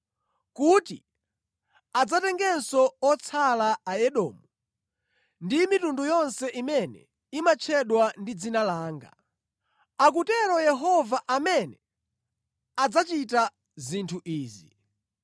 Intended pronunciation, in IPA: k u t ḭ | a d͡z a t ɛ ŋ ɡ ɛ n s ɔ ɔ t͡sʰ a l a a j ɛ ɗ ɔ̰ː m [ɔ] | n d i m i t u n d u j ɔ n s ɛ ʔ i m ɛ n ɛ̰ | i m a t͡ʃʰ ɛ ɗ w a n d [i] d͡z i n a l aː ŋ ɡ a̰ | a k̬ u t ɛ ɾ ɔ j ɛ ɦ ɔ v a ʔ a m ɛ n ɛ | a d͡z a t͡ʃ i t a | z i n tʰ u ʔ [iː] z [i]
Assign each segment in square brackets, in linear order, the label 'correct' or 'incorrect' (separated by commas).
incorrect, correct, correct, correct